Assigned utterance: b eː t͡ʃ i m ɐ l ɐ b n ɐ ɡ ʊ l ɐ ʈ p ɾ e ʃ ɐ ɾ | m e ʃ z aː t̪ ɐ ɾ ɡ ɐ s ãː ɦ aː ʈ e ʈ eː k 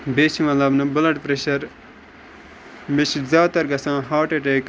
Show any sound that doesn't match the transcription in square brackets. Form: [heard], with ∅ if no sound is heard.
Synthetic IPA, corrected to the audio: b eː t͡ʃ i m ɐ l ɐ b n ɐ [b] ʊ l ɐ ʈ p ɾ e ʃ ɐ ɾ | m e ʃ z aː t̪ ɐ ɾ ɡ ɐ s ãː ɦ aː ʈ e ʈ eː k